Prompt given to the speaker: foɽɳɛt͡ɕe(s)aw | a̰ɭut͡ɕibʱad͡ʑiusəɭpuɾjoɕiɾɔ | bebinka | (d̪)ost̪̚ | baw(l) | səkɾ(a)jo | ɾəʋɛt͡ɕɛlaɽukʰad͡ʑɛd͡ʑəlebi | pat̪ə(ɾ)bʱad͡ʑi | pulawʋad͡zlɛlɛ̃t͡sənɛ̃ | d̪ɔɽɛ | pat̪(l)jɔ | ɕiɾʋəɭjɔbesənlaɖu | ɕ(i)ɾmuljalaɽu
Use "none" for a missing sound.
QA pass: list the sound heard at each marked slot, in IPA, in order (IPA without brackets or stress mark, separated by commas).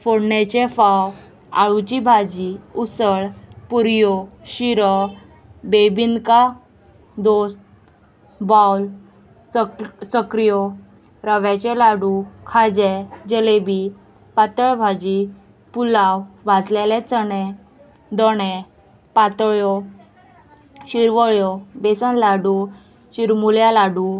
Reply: f, d̪, l, i, ɭ, ɭ, i